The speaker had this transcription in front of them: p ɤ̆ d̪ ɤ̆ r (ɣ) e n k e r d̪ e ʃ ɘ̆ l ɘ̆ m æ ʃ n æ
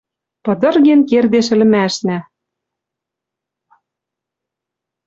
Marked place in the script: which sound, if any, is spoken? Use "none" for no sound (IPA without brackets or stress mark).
ɣ